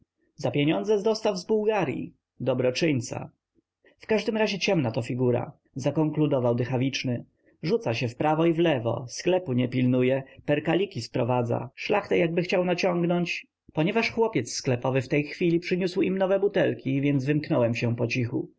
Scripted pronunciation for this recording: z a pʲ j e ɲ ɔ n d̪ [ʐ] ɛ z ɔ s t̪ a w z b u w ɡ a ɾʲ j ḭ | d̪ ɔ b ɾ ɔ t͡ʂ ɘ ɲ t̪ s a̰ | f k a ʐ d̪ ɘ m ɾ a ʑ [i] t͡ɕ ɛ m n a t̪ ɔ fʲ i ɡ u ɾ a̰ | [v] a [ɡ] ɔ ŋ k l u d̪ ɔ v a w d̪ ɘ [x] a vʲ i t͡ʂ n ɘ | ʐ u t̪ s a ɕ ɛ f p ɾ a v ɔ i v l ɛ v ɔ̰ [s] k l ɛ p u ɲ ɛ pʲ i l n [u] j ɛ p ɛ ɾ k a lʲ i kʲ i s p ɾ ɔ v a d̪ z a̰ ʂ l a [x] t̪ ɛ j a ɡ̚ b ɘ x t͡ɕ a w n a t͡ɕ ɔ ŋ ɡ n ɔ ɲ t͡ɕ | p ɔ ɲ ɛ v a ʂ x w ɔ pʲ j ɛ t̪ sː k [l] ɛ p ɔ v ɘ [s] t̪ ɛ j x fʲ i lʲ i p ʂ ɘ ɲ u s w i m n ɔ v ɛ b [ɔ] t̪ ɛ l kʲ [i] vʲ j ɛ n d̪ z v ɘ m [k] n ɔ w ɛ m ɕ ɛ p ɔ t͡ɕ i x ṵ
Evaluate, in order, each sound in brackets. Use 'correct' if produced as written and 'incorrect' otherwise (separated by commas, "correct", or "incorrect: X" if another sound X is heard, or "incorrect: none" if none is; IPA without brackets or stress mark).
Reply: incorrect: z, incorrect: ɛ, incorrect: z, incorrect: k, correct, correct, correct, correct, correct, incorrect: f, incorrect: u, correct, correct